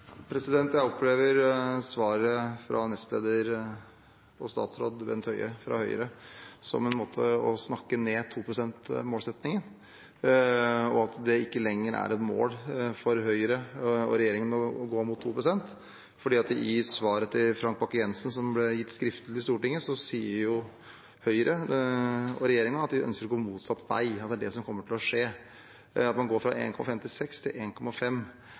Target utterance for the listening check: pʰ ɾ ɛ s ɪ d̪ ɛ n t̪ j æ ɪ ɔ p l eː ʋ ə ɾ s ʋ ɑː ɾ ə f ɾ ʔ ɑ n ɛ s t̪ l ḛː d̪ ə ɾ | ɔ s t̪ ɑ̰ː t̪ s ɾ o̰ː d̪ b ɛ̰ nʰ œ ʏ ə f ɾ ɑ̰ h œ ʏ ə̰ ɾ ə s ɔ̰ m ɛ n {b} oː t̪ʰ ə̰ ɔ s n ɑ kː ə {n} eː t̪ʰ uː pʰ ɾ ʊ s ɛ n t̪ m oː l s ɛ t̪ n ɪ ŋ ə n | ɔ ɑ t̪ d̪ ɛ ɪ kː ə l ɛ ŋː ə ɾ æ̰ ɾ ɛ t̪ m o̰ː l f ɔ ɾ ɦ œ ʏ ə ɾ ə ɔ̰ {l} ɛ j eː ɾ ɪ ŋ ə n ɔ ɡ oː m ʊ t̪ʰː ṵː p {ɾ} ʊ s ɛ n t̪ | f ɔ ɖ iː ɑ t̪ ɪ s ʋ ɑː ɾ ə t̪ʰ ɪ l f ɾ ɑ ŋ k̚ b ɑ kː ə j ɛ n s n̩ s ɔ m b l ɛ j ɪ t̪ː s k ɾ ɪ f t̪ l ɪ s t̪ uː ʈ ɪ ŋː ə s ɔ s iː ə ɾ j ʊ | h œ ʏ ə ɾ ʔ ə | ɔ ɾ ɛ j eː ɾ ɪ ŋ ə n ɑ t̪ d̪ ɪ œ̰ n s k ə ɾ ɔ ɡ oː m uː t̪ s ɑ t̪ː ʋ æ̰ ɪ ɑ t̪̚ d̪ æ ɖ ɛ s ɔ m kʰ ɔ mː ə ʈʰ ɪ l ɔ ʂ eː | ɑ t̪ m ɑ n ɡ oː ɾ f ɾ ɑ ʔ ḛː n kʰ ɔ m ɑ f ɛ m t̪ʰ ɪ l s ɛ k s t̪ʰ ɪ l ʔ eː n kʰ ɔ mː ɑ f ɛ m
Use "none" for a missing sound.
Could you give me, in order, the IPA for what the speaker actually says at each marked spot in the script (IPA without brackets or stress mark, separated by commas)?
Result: m, n, ɾ, ɾ